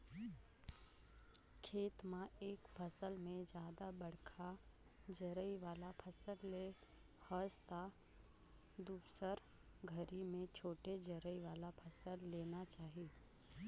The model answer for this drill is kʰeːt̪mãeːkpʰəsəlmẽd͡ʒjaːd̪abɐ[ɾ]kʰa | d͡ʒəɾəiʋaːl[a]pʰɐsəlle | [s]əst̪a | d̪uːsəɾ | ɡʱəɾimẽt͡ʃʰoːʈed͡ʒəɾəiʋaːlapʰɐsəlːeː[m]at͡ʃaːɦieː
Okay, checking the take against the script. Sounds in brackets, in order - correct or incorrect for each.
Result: incorrect: ɽ, correct, incorrect: h, incorrect: n

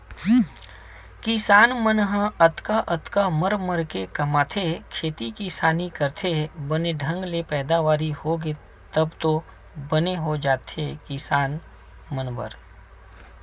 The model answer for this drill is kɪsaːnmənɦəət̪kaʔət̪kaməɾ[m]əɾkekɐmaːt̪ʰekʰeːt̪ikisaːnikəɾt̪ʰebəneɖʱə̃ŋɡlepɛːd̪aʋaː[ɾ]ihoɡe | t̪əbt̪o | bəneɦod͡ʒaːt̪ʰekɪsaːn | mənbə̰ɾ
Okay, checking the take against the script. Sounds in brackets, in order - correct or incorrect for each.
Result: correct, correct

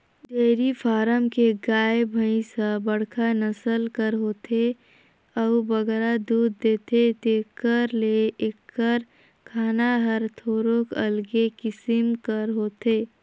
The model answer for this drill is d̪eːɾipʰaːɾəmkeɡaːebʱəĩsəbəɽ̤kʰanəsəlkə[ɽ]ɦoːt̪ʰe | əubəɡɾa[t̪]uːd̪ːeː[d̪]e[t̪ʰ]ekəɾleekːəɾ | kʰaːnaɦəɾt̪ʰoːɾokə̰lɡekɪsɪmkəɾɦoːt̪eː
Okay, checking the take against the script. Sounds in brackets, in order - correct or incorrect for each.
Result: incorrect: ɾ, incorrect: d̪, incorrect: t̪, incorrect: t̪

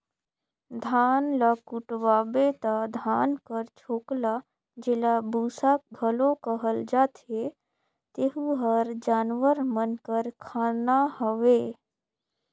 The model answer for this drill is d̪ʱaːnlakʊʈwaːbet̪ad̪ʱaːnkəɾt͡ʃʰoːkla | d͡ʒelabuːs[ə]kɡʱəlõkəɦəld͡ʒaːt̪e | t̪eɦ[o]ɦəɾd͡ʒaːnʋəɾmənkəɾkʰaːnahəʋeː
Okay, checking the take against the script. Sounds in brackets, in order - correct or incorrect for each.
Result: incorrect: a, incorrect: u

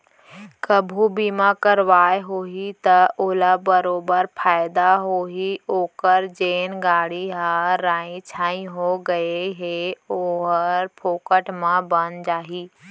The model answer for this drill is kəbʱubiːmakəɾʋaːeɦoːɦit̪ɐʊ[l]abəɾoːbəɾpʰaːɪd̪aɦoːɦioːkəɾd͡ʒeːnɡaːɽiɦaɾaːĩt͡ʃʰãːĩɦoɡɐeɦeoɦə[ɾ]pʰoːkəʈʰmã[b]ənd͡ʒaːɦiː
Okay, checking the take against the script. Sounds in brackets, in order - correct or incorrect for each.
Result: correct, correct, correct

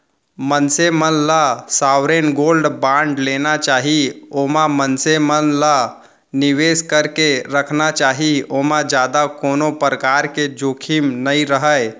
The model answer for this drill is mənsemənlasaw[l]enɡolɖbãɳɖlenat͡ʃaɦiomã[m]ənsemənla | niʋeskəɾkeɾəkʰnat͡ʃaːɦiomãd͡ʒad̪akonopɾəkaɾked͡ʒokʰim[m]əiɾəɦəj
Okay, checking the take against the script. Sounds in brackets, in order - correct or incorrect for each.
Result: incorrect: ɾ, correct, incorrect: n

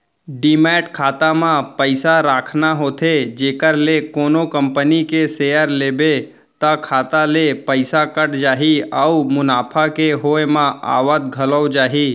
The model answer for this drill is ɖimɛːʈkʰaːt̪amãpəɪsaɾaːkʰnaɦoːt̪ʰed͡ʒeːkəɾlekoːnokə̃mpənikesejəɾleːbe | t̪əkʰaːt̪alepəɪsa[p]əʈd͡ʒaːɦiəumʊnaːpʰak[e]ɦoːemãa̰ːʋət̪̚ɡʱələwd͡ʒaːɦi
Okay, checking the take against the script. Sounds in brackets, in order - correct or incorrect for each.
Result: incorrect: k, correct

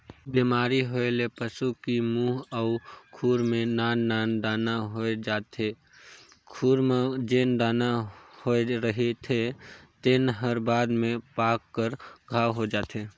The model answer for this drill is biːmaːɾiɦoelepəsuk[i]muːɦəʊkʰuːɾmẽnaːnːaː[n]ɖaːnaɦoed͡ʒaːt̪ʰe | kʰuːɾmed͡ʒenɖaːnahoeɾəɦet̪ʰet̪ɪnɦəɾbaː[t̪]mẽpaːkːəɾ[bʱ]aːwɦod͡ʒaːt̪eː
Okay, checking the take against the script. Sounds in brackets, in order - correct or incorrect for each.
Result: correct, correct, incorrect: d̪, incorrect: ɡʱ

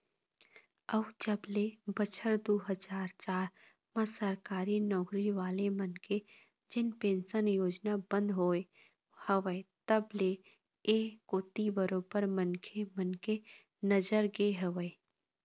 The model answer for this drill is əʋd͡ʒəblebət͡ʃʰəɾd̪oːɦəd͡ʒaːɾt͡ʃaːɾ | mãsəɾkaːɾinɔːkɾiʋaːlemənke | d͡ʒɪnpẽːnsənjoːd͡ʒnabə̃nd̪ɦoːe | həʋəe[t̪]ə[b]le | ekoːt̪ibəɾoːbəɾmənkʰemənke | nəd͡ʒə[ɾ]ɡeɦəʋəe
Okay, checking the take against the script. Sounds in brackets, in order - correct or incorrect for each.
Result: correct, correct, correct

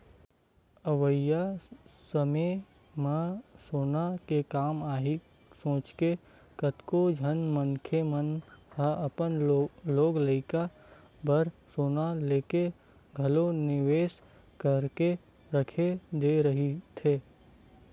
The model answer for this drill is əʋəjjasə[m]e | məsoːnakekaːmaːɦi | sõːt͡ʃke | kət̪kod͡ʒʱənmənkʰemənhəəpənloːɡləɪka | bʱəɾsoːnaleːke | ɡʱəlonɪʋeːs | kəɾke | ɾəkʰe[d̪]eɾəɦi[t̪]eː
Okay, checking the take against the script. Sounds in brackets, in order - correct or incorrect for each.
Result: correct, correct, incorrect: t̪ʰ

